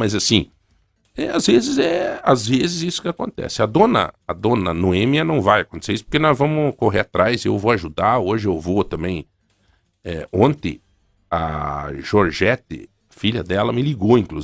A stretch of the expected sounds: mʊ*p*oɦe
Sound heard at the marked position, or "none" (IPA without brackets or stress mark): k